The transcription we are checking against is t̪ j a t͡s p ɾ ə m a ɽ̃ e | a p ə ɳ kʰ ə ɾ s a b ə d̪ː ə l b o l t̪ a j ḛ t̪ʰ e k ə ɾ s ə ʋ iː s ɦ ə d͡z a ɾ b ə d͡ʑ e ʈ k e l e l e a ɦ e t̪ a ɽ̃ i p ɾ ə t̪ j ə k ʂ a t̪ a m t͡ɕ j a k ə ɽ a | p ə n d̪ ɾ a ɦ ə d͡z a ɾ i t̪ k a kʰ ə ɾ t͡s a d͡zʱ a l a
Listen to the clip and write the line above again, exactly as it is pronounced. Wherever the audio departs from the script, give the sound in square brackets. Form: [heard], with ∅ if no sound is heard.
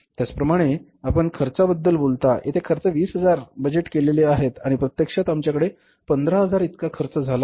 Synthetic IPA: t̪ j a t͡s p ɾ ə m a ɽ̃ e | a p ə ɳ kʰ ə ɾ [t͡s] a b ə d̪ː ə l b o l t̪ a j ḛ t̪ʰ e [kʰ] ə ɾ [t͡s] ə ʋ iː s ɦ ə d͡z a ɾ b ə d͡ʑ e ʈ k e l e l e a ɦ e t̪ a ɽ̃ i p ɾ ə t̪ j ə k ʂ a t̪ a m t͡ɕ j a k ə ɽ [e] | p ə n d̪ ɾ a ɦ ə d͡z a ɾ i t̪ k a kʰ ə ɾ t͡s [ə] d͡zʱ a l a